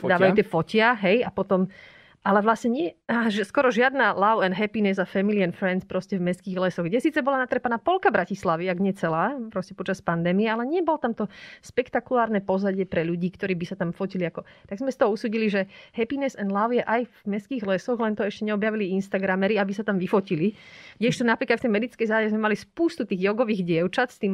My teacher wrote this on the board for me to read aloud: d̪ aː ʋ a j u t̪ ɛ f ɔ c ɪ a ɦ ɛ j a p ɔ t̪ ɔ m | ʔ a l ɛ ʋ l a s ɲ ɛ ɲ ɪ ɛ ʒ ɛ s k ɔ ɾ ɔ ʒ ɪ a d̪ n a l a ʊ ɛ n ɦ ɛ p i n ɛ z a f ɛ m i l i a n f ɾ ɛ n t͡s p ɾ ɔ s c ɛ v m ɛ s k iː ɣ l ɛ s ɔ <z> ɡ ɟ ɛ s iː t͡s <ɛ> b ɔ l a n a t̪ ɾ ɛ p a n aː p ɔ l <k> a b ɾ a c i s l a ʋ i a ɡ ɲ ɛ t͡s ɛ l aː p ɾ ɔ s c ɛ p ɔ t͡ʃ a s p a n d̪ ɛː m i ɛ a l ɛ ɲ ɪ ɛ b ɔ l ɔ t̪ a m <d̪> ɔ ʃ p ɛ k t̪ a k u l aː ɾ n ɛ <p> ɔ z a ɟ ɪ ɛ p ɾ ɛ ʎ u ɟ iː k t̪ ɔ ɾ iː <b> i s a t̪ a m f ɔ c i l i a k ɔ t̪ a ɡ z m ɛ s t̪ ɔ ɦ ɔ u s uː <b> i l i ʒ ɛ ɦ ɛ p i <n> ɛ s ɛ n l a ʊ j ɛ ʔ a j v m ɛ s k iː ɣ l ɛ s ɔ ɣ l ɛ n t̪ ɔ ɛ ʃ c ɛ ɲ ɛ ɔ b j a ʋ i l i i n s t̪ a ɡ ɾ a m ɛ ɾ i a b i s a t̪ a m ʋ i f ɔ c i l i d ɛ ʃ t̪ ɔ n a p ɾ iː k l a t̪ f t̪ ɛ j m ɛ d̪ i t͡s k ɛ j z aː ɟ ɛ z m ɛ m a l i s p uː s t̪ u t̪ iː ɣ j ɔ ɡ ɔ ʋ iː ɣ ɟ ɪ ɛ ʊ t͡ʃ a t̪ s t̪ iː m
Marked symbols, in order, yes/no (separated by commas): no, yes, yes, no, yes, yes, no, yes